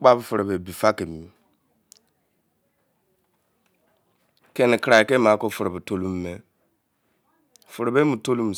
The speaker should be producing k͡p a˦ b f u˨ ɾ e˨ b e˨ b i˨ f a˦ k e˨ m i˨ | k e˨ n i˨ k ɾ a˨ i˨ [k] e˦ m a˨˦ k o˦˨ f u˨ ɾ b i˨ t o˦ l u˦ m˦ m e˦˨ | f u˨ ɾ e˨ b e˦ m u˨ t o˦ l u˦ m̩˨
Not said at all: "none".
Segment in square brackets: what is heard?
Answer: k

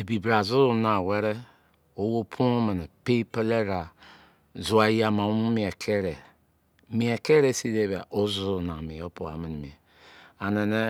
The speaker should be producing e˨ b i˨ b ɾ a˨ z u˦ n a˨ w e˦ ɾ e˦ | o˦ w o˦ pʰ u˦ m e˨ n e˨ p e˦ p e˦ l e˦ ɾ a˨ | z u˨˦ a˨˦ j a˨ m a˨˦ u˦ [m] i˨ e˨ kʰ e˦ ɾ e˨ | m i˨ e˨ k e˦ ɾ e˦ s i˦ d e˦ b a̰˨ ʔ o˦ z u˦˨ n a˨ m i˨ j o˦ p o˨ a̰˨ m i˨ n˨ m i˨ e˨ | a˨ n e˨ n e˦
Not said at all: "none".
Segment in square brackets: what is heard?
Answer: m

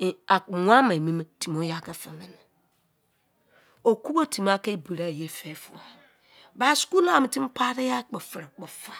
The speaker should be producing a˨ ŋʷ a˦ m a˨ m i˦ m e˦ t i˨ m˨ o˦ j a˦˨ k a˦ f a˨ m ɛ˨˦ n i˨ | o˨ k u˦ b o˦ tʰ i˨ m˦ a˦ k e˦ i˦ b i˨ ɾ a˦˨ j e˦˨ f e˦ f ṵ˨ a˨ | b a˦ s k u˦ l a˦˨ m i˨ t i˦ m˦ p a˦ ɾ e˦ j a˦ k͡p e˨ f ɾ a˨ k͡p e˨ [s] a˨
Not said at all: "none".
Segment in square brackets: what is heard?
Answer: f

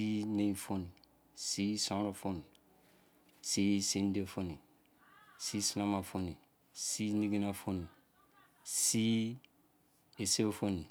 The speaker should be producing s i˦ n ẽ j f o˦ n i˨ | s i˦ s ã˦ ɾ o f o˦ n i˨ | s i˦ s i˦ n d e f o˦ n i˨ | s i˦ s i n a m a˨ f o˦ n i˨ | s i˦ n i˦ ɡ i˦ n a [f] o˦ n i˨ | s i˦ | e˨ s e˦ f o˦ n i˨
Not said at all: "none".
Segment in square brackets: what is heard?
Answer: f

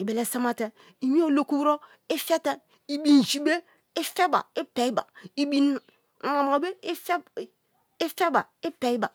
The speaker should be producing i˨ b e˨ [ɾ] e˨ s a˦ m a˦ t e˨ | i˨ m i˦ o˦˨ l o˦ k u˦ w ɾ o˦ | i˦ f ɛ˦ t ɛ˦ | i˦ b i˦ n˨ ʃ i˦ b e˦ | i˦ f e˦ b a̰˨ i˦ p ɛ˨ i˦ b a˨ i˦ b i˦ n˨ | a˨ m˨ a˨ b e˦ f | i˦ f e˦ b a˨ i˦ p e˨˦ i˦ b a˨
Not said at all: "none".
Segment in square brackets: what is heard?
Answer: l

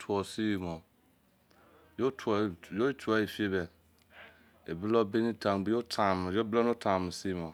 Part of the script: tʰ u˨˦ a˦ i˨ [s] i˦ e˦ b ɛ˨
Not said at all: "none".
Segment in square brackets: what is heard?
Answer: f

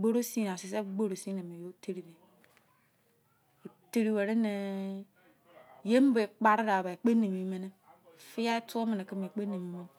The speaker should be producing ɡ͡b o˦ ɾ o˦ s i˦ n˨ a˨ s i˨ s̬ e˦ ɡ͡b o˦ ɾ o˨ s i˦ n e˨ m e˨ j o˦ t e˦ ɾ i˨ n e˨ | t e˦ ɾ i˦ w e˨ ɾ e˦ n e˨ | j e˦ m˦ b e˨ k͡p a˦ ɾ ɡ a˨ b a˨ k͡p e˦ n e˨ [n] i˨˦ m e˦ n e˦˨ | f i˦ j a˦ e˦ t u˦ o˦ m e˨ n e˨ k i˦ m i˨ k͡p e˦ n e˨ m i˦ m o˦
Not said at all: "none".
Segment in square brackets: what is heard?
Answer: m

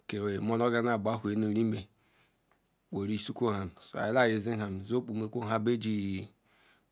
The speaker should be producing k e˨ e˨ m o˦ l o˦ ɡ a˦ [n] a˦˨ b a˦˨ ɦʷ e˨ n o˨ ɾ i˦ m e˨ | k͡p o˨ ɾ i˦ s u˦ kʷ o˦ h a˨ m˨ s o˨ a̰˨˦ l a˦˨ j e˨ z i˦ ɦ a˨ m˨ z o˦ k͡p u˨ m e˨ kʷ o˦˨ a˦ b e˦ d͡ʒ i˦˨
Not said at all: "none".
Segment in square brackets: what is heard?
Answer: n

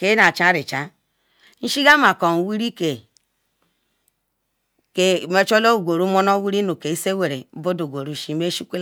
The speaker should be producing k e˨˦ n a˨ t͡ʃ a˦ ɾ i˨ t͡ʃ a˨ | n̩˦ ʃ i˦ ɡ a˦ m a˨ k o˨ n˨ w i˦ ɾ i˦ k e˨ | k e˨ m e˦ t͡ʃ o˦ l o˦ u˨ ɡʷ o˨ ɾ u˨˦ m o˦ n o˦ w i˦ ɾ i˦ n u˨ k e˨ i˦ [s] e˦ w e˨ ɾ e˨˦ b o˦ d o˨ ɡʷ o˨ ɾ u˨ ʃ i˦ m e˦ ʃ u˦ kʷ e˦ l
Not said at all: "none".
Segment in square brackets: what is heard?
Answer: s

